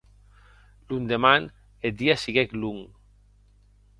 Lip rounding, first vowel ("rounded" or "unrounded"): rounded